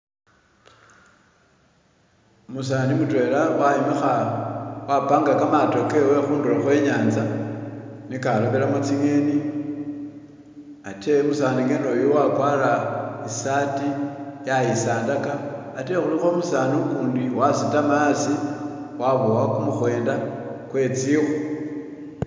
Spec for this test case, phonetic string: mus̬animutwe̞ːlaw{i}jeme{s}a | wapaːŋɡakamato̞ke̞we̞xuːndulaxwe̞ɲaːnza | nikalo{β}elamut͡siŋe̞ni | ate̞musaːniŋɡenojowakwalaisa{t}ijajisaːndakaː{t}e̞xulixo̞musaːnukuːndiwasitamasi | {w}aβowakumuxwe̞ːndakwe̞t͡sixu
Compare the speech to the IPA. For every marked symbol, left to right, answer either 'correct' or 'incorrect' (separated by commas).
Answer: incorrect, incorrect, correct, correct, correct, correct